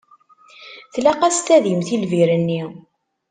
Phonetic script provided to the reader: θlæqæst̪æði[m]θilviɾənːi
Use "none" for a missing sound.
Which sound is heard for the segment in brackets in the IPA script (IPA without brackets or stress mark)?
m